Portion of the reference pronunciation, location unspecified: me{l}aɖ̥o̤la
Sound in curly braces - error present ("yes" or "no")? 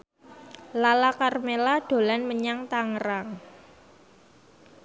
no